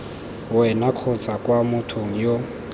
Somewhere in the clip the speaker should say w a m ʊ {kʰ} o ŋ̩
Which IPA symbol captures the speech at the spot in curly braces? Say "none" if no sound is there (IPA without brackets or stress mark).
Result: tʰ